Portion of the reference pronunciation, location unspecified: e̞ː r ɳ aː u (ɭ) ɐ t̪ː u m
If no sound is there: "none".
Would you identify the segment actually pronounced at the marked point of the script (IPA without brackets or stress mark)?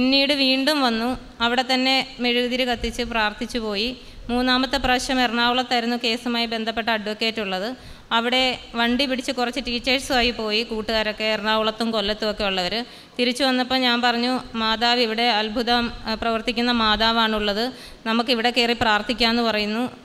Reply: ɭ